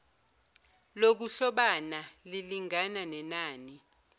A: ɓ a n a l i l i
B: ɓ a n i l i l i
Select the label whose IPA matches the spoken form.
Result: A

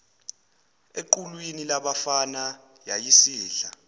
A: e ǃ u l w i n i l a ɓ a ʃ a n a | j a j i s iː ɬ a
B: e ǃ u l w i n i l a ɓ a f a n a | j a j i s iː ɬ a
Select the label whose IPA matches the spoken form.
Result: B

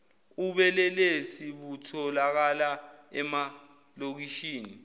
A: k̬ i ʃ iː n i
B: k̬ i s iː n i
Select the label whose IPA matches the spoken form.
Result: A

